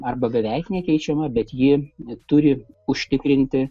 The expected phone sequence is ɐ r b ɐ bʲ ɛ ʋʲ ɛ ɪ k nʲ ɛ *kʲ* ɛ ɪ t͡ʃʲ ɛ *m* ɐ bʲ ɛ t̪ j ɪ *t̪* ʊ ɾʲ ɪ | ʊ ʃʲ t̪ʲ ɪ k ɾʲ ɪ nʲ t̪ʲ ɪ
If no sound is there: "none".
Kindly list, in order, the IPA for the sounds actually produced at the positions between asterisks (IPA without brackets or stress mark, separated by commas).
kʲ, m, t̪